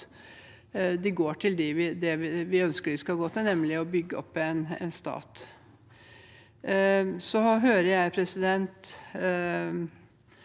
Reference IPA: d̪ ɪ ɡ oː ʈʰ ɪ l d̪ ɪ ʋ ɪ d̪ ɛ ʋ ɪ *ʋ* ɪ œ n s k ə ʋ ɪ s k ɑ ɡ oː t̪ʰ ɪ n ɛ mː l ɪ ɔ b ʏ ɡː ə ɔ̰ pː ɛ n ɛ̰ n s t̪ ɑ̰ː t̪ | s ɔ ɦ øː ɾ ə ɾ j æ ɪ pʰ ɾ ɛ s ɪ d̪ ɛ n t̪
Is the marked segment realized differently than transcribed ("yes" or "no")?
no